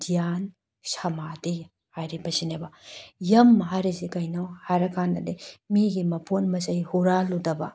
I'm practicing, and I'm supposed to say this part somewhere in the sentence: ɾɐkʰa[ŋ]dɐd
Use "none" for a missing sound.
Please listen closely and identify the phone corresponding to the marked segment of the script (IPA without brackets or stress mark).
n